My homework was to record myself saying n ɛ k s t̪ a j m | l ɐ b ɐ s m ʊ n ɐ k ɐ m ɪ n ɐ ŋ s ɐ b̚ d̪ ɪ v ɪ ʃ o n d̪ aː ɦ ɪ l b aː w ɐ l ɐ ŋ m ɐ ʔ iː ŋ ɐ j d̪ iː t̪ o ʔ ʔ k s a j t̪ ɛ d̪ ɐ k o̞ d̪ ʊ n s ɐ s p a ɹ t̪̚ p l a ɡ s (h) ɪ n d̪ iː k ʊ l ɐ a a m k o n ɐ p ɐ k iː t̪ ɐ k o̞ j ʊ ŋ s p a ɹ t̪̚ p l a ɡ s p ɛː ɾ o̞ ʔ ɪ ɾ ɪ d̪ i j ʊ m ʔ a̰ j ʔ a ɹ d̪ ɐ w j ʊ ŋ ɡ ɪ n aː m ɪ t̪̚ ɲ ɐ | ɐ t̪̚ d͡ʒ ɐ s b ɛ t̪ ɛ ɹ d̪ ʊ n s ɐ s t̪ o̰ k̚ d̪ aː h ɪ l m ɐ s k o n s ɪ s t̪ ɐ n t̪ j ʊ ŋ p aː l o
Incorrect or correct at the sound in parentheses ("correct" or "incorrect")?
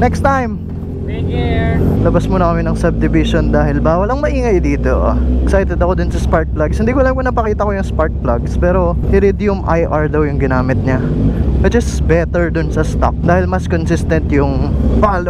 correct